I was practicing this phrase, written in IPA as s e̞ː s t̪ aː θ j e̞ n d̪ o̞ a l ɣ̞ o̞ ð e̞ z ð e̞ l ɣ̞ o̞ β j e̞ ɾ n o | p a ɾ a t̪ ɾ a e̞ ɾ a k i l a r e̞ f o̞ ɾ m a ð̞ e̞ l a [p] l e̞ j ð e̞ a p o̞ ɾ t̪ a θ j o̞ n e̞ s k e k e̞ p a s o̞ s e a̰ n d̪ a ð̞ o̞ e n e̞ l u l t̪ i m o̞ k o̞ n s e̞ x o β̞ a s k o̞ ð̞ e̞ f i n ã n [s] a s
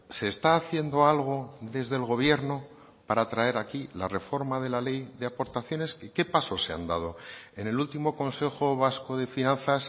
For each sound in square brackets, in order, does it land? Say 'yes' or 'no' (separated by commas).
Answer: no, no